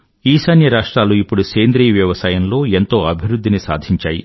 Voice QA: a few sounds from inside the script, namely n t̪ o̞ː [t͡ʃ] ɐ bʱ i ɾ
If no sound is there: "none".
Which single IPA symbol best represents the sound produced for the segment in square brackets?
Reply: none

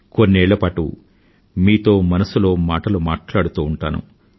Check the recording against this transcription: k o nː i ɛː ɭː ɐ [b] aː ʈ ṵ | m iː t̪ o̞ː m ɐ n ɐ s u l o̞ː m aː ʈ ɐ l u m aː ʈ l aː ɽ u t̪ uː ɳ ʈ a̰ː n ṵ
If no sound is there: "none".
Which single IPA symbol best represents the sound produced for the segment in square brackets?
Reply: p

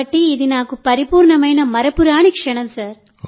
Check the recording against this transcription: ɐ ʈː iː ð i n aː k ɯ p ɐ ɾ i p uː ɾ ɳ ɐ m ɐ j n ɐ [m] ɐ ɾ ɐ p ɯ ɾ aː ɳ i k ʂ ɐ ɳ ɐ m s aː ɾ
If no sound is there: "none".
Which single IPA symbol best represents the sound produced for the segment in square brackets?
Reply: m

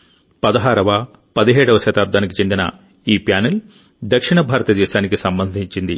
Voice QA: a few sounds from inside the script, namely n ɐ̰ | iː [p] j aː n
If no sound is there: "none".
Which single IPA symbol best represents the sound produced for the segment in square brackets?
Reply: p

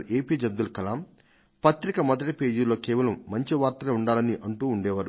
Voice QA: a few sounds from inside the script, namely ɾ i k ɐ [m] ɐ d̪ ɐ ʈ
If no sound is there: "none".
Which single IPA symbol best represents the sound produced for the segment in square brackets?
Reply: m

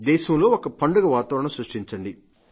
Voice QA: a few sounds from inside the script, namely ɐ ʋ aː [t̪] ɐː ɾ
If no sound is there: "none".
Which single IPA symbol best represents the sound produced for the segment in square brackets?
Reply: t̪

